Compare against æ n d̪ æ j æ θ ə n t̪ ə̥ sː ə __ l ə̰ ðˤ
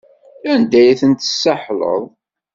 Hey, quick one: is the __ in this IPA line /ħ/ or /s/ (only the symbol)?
ħ